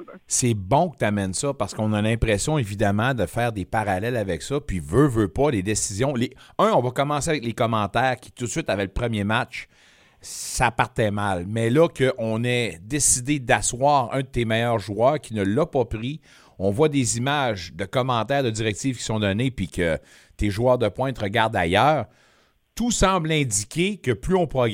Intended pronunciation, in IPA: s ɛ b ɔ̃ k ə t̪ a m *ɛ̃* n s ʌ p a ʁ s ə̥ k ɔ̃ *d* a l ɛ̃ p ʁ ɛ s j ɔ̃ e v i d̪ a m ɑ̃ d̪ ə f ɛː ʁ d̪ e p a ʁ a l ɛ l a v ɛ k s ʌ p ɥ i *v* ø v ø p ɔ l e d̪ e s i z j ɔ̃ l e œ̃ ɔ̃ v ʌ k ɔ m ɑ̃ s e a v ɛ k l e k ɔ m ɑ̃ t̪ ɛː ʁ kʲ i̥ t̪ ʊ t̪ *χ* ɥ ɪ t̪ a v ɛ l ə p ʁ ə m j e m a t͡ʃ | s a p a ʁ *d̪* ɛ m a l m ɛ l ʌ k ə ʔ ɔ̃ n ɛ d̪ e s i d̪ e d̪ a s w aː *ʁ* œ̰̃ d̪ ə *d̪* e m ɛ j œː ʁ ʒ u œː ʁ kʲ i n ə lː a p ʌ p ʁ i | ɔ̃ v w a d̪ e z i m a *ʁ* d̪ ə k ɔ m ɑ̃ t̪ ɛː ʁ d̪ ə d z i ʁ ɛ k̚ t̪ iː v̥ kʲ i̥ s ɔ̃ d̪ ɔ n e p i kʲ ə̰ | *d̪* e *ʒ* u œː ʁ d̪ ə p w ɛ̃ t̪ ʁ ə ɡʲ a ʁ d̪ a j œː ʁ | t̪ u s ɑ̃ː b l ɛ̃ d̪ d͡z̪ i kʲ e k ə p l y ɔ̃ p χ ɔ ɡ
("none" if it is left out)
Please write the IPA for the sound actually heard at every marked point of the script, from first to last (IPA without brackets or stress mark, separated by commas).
ɛ, n, v, s, t̪, ʁ, t̪, ʒ, t̪, ʒ